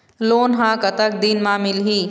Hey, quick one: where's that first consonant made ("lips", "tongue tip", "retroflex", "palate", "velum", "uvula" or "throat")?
tongue tip